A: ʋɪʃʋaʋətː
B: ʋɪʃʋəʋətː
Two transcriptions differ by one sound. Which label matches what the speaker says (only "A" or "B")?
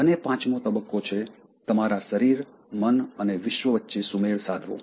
B